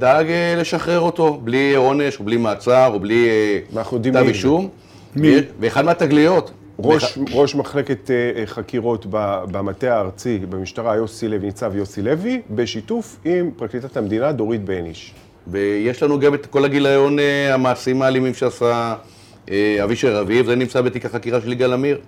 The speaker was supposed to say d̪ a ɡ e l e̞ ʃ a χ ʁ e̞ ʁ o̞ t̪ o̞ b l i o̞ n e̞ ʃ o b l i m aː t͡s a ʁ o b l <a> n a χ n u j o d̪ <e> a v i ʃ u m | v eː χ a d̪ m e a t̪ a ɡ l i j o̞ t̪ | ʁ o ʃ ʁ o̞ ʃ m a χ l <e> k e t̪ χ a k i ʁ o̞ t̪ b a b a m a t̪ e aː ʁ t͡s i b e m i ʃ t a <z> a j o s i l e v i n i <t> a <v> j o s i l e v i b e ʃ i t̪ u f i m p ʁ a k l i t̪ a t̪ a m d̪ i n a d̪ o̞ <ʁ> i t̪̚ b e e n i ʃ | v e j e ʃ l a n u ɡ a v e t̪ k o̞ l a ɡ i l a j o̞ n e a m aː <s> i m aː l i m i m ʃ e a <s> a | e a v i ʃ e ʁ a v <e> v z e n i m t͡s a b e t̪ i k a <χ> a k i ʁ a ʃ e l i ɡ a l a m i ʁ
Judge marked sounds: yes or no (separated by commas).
no, no, yes, no, no, yes, yes, yes, yes, no, yes